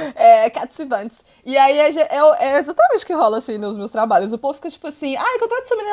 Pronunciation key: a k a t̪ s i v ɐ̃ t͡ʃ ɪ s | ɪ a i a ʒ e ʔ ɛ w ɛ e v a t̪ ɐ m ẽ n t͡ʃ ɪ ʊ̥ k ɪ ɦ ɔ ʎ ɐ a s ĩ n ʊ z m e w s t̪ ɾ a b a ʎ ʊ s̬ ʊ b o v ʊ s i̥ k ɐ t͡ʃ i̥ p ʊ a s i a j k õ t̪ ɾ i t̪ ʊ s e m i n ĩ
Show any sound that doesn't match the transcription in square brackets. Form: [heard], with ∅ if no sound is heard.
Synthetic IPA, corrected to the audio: [ɛ] k a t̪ s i v ɐ̃ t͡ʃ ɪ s | ɪ a i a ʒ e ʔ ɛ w ɛ e [z] a t̪ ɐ m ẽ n t͡ʃ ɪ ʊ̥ k ɪ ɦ ɔ [l] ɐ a s ĩ n ʊ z m e w s t̪ ɾ a b a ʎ ʊ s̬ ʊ [p] o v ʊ [f] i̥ k ɐ t͡ʃ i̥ p ʊ a s [ĩ] a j k õ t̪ ɾ [a] t̪ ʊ s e m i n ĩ